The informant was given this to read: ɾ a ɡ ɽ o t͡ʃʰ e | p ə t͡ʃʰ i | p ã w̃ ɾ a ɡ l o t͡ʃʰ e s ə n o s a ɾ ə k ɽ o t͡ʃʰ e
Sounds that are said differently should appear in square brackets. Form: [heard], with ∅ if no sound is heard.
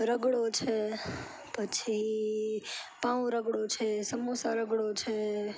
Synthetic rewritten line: ɾ [ə] ɡ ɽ o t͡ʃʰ e | p ə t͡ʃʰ i | p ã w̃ ɾ [ə] ɡ [ɽ] o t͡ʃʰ e s ə [m] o s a ɾ ə [ɡ] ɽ o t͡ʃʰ e